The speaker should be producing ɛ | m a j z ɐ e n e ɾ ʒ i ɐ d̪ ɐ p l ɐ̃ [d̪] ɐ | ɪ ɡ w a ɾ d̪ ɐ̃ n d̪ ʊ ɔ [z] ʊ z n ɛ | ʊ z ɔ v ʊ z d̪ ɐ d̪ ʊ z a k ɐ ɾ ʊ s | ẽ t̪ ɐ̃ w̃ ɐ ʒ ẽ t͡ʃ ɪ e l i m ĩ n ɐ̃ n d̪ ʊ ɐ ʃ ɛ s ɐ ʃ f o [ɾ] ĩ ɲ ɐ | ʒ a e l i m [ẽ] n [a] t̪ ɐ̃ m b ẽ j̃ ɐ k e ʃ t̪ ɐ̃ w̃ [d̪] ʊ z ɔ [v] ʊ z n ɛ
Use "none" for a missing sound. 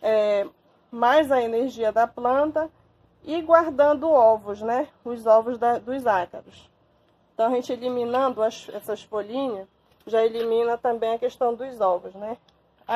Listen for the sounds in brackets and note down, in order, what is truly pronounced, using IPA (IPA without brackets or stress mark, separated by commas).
t̪, v, l, ĩ, ɐ, d̪, v